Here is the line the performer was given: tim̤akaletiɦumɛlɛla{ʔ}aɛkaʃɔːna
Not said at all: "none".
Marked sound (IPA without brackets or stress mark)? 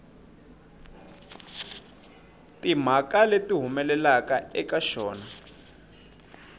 k